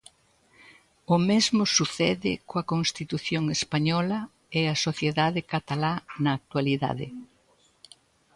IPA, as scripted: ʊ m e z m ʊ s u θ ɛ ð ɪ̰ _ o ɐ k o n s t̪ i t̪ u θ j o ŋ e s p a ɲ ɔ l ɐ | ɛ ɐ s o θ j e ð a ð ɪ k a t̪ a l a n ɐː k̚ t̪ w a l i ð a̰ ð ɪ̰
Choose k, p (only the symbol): k